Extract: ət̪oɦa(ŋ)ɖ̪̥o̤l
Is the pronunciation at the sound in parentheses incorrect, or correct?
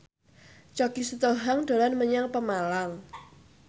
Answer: correct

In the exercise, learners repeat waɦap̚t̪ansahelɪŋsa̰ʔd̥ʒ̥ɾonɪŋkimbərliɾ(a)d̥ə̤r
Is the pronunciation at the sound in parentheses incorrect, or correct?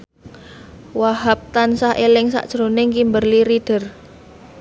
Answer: incorrect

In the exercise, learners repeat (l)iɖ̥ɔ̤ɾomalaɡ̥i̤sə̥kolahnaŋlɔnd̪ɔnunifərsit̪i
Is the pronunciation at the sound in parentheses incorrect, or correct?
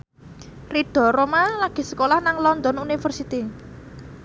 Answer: incorrect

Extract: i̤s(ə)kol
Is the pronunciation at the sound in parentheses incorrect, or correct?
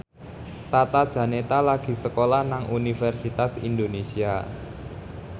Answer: correct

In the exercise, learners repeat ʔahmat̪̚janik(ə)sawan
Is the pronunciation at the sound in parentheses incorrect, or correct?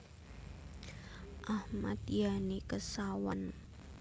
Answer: correct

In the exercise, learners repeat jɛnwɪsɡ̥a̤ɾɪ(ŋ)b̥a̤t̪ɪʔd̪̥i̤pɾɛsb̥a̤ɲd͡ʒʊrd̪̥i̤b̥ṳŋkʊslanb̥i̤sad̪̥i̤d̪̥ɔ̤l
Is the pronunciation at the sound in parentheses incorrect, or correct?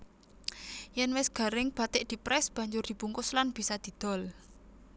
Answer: correct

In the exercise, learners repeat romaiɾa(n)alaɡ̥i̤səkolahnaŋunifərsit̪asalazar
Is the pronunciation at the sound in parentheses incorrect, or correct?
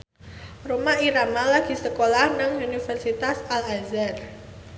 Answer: incorrect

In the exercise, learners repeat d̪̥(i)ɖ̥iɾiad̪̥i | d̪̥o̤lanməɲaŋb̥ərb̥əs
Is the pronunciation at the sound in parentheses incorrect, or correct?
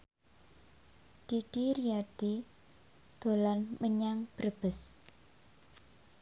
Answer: correct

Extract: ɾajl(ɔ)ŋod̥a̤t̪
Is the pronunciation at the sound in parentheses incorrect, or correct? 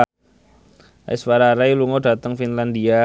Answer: incorrect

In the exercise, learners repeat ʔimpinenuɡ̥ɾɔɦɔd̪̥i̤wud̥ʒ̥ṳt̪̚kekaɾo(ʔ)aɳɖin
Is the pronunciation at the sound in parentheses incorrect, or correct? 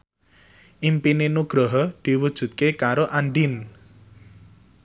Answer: correct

